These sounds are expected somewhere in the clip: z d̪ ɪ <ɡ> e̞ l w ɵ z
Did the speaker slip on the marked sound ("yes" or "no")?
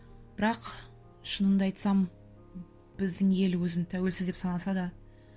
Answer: yes